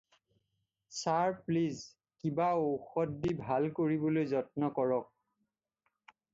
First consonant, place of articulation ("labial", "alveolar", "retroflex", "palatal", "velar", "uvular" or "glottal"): alveolar